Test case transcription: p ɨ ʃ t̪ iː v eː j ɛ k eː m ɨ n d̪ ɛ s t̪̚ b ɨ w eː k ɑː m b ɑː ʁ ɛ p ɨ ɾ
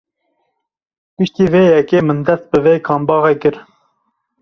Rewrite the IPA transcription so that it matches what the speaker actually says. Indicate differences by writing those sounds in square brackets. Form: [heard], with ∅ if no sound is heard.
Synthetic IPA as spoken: p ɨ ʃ t̪ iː v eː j ɛ k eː m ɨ n d̪ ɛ s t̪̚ b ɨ [v] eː [kʰ] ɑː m b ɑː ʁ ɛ [k] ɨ ɾ